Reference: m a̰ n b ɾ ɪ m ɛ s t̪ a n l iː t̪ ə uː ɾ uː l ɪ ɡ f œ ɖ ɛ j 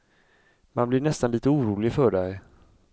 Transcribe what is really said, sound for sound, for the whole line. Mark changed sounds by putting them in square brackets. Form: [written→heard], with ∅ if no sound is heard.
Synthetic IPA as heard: m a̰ n b [ɾ→l] ɪ [m→ɳ] ɛ s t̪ a n l iː t̪ ə uː ɾ uː l ɪ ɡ f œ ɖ ɛ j